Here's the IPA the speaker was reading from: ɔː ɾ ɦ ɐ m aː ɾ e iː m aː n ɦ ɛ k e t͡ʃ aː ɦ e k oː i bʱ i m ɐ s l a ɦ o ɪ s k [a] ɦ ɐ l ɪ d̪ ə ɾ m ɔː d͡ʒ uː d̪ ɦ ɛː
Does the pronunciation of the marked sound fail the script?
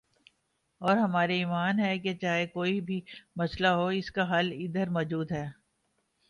no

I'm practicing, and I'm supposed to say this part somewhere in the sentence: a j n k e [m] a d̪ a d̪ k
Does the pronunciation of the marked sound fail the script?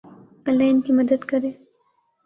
no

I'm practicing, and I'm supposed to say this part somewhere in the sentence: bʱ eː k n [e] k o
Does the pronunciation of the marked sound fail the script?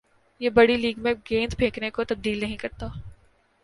no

